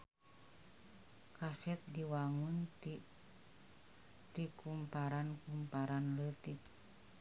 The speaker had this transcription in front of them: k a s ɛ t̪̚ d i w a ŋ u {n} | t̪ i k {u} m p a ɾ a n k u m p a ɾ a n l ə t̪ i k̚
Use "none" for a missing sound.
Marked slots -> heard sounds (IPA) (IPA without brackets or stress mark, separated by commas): n, u